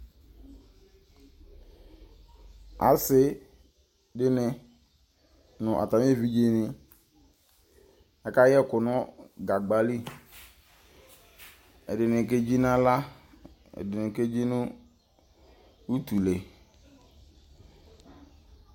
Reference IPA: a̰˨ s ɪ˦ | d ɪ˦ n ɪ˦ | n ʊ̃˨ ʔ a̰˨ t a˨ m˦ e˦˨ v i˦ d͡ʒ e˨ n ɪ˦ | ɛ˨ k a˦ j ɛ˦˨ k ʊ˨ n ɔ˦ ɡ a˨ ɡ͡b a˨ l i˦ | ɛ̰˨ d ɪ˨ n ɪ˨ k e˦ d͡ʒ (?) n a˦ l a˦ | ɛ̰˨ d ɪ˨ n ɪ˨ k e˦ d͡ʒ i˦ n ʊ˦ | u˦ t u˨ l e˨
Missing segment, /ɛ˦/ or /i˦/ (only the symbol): i˦